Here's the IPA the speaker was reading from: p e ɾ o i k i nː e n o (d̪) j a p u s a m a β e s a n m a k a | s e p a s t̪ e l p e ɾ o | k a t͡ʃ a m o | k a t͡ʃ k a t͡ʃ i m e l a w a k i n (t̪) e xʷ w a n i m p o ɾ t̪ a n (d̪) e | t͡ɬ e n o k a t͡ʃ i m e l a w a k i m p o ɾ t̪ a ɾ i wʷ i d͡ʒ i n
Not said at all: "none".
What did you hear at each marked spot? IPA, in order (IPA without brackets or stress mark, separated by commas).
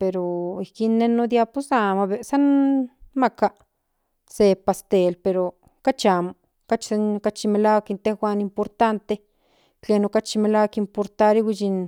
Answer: d̪, t̪, t̪